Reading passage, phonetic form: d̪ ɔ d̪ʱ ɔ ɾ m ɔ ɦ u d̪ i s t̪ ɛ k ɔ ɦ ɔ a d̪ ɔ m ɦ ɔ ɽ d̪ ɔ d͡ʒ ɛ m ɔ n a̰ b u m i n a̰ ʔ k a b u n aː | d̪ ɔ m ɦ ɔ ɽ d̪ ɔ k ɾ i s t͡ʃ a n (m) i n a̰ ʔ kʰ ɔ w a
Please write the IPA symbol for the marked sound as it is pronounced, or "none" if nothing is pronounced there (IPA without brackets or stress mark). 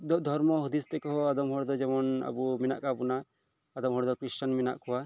m